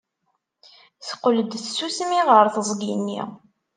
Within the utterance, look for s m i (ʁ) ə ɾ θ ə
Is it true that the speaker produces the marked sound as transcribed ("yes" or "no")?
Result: yes